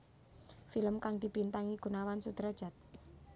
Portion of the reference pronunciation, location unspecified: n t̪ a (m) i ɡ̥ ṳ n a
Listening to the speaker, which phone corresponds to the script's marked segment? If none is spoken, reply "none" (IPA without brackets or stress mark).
ŋ